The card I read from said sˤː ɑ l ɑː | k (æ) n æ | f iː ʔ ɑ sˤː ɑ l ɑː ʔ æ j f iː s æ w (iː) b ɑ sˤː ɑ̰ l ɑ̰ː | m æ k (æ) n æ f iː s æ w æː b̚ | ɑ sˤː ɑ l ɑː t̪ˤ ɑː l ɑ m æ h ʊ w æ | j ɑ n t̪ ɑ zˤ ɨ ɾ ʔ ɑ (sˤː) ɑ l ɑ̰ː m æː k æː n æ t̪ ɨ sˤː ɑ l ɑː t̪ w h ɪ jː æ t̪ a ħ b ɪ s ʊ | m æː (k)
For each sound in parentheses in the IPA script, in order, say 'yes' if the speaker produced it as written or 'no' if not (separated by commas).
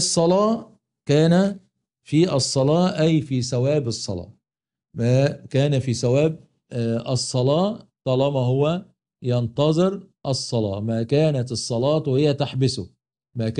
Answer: no, no, no, yes, yes